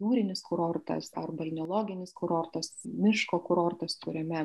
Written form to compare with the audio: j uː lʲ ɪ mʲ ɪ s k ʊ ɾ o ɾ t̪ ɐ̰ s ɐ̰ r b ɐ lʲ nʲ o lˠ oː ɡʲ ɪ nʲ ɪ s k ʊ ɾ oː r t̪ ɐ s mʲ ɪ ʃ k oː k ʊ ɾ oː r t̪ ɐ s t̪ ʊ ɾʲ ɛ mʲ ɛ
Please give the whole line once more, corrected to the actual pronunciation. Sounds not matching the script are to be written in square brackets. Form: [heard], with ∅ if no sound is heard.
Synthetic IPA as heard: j uː [ɾʲ] ɪ [nʲ] ɪ s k ʊ ɾ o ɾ t̪ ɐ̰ s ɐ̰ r b ɐ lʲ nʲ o lˠ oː ɡʲ ɪ nʲ ɪ s k ʊ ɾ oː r t̪ ɐ s mʲ ɪ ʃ k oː k ʊ ɾ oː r t̪ ɐ s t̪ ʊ ɾʲ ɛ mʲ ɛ